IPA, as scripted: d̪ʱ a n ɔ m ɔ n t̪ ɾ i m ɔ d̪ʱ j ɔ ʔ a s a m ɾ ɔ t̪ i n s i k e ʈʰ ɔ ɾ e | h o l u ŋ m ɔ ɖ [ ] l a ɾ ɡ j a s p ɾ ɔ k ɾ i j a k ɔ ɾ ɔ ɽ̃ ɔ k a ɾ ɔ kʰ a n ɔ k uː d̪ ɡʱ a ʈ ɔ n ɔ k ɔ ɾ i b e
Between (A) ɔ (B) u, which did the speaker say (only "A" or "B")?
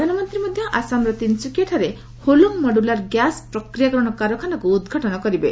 B